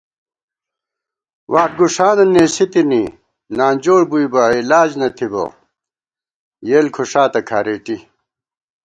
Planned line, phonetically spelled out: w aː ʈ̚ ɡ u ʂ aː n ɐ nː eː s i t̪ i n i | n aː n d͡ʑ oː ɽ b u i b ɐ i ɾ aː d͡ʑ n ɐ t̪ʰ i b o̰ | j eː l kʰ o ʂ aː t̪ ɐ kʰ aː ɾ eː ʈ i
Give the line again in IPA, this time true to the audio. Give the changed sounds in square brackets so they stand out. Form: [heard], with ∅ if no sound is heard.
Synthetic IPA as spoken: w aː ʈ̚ ɡ u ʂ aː n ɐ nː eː s i t̪ i n i | n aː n d͡ʑ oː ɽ b u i b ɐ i [l] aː d͡ʑ n ɐ t̪ʰ i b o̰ | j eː l kʰ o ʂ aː t̪ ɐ kʰ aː ɾ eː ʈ i